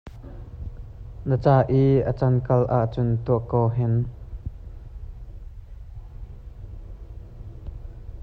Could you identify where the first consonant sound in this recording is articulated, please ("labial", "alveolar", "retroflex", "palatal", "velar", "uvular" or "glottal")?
alveolar